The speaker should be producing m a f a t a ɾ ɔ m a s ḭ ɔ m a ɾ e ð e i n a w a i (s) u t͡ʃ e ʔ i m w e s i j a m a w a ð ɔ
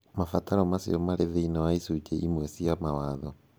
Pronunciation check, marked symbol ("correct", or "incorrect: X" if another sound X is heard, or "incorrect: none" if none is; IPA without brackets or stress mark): correct